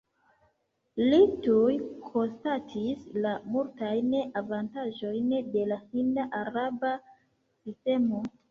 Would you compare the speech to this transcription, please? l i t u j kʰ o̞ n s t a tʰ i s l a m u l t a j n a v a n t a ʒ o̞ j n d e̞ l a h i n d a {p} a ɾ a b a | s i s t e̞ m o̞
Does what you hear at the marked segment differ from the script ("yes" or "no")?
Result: yes